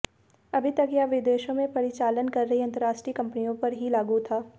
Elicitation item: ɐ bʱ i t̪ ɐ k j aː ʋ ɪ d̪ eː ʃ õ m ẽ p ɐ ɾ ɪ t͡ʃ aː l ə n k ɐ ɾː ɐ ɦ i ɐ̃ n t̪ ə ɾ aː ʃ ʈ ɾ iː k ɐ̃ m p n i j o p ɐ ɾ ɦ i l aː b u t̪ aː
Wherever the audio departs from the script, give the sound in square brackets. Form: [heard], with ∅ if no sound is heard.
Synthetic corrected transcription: ɐ bʱ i t̪ ɐ k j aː ʋ ɪ d̪ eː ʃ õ m ẽ p ɐ ɾ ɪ t͡ʃ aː l ə n k ɐ ɾː ɐ ɦ i ɐ̃ n t̪ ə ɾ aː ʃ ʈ ɾ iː k ɐ̃ m p n i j [õ] p ɐ ɾ ɦ i l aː [ɡ] u [t̪ʰ] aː